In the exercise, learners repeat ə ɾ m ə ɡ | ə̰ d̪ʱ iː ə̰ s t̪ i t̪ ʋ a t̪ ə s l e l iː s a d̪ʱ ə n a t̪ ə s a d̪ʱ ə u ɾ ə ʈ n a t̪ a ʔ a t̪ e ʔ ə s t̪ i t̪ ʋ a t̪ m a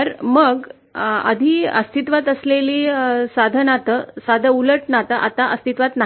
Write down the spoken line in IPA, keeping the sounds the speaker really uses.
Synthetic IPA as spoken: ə ɾ m ə ɡ | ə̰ d̪ʱ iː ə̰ s t̪ i t̪ ʋ a t̪ ə s l e l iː s a d̪ʱ ə n a t̪ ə s a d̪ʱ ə u l ə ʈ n a t̪ a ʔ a t̪ a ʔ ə s t̪ i t̪ ʋ a t̪ n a